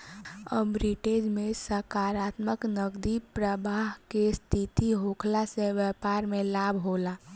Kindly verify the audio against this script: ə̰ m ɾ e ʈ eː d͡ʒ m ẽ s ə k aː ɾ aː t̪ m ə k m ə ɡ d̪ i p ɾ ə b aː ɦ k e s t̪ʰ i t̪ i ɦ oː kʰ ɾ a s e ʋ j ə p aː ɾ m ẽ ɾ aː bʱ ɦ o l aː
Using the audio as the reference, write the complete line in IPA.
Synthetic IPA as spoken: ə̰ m ɾ i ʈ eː d͡ʒ m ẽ s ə k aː ɾ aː t̪ m ə k n ə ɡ d̪ i p ɾ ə b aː ɦ k e s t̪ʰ i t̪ i ɦ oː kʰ l a s e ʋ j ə p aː ɾ m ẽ l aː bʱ ɦ o l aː